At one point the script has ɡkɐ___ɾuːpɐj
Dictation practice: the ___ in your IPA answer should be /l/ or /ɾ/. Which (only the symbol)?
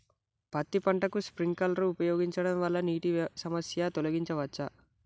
l